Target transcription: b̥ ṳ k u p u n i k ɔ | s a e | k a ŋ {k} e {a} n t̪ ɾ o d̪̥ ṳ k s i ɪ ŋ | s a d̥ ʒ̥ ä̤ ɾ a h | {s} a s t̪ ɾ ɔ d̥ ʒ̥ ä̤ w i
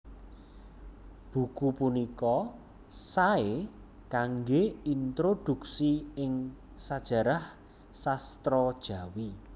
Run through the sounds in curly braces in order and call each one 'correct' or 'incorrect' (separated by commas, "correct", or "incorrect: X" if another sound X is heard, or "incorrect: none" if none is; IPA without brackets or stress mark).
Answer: incorrect: ɡ, incorrect: i, correct